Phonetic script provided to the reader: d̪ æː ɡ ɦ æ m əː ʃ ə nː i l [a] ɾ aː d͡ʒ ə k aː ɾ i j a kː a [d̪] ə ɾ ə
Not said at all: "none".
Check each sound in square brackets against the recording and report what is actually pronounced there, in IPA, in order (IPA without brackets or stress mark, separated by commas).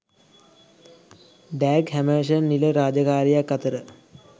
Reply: ə, t̪